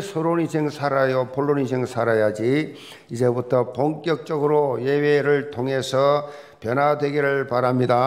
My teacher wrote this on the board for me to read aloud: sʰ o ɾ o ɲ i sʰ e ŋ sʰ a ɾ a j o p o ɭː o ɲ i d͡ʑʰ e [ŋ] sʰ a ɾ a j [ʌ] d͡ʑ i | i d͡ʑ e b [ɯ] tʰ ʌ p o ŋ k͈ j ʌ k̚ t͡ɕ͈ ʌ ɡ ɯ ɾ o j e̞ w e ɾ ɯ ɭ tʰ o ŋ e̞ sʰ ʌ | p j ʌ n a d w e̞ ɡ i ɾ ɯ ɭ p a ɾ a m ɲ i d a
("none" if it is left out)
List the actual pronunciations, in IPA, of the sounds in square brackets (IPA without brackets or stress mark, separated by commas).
ŋ, a, u